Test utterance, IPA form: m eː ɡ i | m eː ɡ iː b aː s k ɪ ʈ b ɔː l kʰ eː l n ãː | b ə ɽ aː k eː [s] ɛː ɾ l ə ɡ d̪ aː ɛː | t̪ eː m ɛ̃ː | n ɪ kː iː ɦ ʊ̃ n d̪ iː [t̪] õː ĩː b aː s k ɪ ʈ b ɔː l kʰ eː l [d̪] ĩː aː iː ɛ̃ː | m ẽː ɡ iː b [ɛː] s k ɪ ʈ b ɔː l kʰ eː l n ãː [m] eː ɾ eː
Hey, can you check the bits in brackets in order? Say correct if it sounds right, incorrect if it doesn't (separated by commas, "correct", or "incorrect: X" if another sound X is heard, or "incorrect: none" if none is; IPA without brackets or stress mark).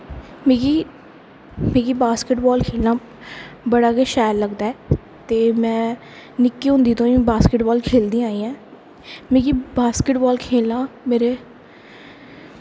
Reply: incorrect: ʃ, correct, correct, incorrect: aː, correct